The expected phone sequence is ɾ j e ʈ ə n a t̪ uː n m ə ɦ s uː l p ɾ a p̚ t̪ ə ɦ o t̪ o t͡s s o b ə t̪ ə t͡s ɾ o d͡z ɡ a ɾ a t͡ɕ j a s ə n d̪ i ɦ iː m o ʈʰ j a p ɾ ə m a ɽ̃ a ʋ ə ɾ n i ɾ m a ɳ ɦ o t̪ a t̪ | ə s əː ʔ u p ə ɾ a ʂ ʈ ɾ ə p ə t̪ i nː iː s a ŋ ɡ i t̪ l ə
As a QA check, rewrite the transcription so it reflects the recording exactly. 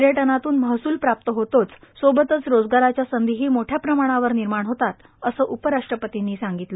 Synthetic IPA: ɾ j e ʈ ə n a t̪ uː n m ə ɦ s uː l p ɾ a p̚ t̪ ə ɦ o t̪ o t͡s s o b ə t̪ ə t͡s ɾ o d͡z ɡ a ɾ a t͡ɕ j a s ə n d̪ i ɦ iː m o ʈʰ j a p ɾ ə m a ɽ̃ a ʋ ə ɾ n i ɾ m a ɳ ɦ o t̪ a t̪ | ə s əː ʔ u p ə ɾ a ʂ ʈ ɾ ə p ə t̪ i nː iː s a ŋ ɡ i t̪ l ə